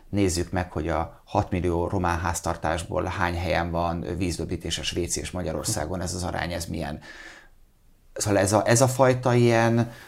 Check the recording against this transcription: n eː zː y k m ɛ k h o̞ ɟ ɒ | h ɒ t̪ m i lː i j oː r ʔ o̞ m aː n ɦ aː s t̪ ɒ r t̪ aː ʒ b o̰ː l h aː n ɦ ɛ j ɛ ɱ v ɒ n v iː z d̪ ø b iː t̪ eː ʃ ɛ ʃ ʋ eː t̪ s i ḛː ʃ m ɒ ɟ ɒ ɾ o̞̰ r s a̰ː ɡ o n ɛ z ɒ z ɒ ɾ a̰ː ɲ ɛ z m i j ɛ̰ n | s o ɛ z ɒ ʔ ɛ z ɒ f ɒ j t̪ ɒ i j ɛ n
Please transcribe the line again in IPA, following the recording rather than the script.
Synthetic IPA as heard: n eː zː y k m ɛ k h o̞ ɟ ɒ | h ɒ t̪ m i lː i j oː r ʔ o̞ m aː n ɦ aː s t̪ ɒ r t̪ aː ʒ b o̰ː l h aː ɲ ɦ ɛ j ɛ ɱ v ɒ n v iː z d̪ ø b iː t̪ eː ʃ ɛ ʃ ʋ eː t̪ s i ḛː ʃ m ɒ ɟ ɒ ɾ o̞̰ r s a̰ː ɡ o n ɛ z ɒ z ɒ ɾ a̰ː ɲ ɛ z m i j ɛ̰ n | s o ɛ z ɒ ʔ ɛ z ɒ f ɒ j t̪ ɒ i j ɛ n